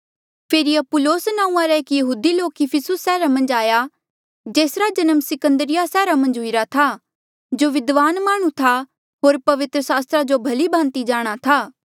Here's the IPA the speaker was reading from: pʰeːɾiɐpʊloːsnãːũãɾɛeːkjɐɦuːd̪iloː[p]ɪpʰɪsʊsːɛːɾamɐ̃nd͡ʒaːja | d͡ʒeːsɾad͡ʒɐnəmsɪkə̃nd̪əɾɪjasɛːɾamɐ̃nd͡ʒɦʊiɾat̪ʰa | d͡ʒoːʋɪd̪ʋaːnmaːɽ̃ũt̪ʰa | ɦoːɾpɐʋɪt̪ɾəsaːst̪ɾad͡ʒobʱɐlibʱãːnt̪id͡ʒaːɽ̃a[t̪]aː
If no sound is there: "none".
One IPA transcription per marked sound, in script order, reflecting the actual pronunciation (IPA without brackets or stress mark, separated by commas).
k, t̪ʰ